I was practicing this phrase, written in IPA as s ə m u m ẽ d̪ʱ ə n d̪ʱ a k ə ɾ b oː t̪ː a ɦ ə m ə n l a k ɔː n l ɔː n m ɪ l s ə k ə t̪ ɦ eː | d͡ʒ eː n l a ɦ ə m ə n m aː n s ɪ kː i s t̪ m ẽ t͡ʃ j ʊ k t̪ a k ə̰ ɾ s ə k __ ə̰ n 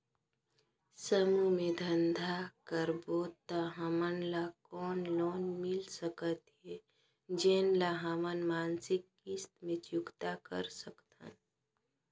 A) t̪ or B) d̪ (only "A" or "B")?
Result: A